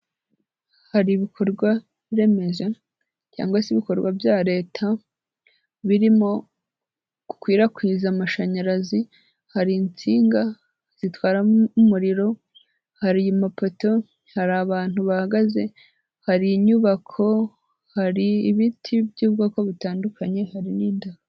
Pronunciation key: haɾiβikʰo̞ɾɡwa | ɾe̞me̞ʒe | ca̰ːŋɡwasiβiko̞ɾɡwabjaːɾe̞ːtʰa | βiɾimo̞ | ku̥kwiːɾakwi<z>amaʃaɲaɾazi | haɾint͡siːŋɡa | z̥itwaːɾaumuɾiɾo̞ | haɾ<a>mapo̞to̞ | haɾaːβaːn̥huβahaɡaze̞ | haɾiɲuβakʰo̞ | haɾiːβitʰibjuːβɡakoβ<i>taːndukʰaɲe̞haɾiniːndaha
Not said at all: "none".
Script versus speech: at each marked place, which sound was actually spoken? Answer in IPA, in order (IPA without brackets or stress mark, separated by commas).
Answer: z, i, i